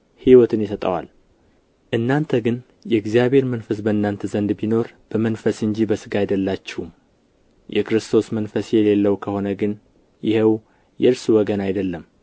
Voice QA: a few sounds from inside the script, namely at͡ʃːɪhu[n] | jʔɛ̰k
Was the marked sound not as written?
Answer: yes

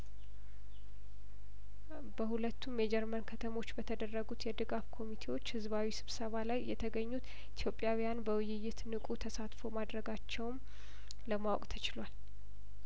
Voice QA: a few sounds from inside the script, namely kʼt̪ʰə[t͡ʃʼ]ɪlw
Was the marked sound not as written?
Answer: yes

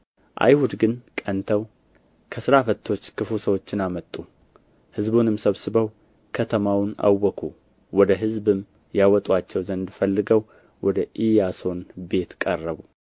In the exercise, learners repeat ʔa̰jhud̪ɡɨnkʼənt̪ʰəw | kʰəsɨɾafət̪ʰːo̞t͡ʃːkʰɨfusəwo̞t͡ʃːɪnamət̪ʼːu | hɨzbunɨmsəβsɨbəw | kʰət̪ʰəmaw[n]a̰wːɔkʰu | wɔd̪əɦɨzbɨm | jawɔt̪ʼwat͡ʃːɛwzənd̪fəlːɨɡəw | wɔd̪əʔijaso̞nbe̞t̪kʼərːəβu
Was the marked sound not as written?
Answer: no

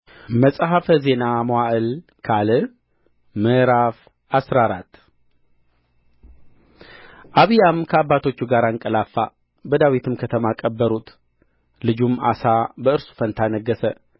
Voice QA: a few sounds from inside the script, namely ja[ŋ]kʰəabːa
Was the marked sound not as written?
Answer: yes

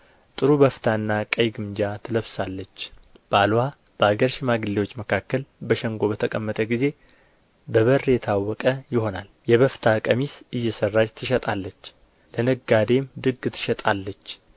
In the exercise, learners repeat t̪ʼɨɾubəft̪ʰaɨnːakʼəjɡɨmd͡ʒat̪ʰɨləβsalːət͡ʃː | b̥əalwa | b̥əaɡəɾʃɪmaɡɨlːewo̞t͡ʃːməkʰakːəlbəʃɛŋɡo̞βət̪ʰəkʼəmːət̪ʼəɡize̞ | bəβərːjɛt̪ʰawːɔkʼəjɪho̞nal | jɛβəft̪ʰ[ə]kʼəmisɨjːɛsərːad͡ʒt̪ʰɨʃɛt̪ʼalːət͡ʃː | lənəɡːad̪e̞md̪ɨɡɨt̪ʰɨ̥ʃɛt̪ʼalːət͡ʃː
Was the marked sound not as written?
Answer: yes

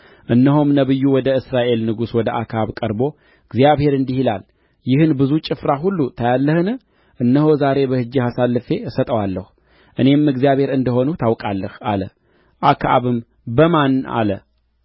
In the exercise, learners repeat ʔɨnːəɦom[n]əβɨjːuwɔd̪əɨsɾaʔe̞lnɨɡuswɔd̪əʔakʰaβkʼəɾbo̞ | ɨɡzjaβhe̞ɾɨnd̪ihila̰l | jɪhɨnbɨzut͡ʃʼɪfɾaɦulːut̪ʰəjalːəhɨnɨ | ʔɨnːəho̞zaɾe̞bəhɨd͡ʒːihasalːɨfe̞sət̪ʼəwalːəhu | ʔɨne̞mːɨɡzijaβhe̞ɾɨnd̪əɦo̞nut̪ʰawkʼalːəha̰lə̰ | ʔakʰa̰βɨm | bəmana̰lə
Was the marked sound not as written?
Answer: no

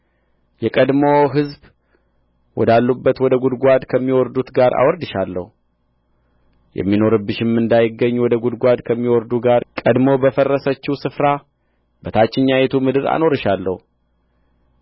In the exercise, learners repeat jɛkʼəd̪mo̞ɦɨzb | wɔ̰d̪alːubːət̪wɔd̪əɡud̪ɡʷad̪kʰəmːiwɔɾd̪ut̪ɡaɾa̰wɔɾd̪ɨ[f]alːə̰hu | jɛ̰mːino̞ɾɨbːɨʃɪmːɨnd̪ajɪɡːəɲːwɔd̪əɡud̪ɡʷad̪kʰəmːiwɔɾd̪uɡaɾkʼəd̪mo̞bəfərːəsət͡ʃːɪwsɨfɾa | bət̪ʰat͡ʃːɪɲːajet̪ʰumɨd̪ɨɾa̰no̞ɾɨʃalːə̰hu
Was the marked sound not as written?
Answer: yes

